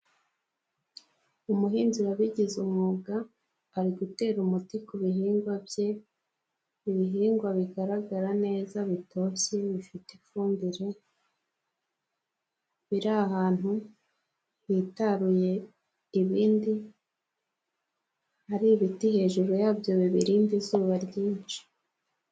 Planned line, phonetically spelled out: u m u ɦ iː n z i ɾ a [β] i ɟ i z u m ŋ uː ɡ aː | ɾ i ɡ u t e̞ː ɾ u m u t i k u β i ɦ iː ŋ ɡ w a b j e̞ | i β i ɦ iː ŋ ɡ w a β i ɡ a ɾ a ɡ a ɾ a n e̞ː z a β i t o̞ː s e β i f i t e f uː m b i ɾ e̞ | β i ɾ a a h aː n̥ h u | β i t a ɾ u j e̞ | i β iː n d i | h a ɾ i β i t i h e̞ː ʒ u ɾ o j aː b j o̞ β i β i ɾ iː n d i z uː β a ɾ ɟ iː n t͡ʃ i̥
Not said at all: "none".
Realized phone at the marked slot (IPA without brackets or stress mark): β